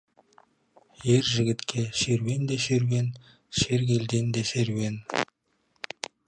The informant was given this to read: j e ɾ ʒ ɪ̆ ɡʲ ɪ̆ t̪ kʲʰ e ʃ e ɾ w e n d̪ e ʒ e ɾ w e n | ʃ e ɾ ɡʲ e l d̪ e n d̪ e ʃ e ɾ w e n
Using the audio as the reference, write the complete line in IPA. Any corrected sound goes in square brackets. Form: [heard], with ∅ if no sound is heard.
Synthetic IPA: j e ɾ ʒ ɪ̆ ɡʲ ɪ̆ t̪ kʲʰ e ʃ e ɾ w e n d̪ e [ʃ] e ɾ w e n | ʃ e ɾ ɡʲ e l d̪ e n d̪ e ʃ e ɾ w e n